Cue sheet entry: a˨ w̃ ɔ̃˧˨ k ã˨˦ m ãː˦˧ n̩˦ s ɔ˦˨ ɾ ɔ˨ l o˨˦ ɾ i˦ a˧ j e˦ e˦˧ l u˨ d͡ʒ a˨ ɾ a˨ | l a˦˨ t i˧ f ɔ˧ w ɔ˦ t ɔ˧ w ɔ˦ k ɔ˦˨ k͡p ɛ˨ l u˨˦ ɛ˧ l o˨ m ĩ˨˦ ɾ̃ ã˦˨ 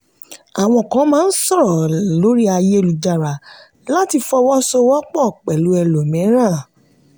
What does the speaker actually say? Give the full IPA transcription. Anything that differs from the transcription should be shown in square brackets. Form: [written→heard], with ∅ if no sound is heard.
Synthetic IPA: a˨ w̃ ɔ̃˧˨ k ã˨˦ m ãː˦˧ n̩˦ s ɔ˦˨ ɾ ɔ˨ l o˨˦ ɾ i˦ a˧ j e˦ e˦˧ l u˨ d͡ʒ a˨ ɾ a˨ | l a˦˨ t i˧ f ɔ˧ w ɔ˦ [t→s] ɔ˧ w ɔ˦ [k→k͡p] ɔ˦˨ k͡p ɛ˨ l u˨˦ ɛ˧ l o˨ m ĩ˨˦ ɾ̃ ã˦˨